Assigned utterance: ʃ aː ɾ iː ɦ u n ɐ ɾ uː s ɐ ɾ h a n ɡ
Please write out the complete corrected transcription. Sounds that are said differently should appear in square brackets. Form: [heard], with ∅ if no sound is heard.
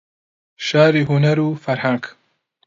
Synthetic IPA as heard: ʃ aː ɾ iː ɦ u n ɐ ɾ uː [f] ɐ ɾ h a [ŋ] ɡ